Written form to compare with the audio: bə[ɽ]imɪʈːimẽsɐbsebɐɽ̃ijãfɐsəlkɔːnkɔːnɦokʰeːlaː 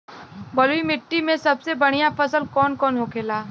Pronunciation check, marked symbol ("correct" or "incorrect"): incorrect